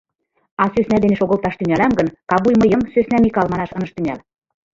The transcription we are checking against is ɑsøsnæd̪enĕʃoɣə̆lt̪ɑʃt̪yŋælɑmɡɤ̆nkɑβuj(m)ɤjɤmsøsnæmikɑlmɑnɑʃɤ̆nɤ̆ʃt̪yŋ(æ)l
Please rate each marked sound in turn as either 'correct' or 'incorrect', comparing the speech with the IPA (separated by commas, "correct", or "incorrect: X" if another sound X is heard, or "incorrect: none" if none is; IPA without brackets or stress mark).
correct, correct